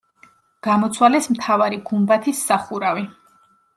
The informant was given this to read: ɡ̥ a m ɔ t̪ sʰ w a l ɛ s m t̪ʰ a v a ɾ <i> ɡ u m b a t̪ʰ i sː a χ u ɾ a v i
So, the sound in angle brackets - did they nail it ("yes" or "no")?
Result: yes